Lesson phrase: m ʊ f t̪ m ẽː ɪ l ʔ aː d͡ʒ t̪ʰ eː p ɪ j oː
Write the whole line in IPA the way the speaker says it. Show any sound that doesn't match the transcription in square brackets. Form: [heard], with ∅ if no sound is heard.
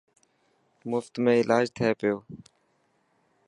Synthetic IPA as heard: m ʊ f t̪ m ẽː ɪ l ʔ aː d͡ʒ t̪ʰ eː p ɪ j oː